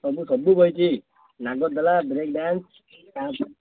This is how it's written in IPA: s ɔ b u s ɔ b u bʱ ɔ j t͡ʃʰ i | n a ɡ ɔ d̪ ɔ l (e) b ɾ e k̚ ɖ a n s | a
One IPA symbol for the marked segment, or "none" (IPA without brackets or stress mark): a